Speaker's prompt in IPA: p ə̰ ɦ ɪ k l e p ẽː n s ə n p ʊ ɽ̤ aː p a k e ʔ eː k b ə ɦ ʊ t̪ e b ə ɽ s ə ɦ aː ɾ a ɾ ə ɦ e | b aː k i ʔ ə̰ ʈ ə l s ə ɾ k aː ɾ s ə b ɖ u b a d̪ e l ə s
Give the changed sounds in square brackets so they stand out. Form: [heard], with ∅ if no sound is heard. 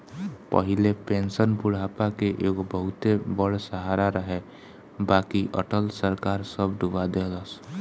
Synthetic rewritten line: p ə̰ ɦ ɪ [∅] l e p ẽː n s ə n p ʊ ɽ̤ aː p a k e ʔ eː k b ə ɦ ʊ t̪ e b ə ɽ s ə ɦ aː ɾ a ɾ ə ɦ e | b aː k i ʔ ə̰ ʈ ə l s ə ɾ k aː ɾ s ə b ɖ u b a d̪ e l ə s